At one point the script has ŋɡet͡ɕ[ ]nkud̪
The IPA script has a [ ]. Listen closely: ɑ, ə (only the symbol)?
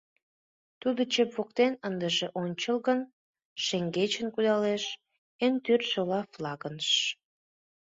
ə